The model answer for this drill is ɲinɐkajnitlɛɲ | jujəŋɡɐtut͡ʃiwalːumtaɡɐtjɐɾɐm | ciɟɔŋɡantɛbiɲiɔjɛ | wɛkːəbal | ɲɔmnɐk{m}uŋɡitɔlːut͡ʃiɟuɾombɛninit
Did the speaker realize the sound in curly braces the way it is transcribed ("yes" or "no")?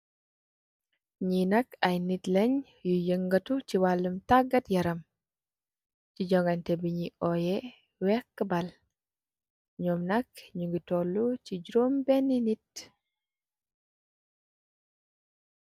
no